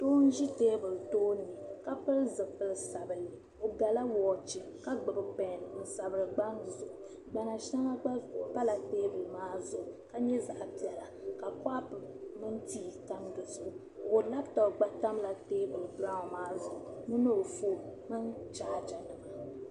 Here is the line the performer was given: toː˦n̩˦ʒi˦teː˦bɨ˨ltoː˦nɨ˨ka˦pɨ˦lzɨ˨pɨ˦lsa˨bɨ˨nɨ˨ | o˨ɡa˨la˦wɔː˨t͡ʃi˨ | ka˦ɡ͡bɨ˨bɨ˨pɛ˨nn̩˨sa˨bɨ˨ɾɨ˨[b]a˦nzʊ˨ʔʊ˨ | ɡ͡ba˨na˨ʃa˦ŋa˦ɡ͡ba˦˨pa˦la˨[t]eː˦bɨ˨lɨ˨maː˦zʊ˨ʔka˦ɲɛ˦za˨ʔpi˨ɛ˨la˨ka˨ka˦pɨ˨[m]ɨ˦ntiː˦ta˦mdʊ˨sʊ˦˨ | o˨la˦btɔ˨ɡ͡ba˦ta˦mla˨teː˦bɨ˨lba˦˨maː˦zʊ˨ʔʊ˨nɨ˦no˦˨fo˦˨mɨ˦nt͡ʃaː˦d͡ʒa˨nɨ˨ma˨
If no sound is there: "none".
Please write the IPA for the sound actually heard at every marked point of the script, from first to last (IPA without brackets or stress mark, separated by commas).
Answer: ɡ͡b, t, m